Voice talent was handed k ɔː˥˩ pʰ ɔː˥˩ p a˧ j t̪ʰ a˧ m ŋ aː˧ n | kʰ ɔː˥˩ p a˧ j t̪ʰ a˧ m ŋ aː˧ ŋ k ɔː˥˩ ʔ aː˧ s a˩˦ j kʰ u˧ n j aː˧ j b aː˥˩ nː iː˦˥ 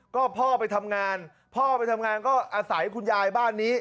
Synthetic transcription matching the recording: k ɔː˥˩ pʰ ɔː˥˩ p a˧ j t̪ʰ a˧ m ŋ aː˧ n | pʰ ɔː˥˩ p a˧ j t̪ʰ a˧ m ŋ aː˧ n k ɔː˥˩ ʔ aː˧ s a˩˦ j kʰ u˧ n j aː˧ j b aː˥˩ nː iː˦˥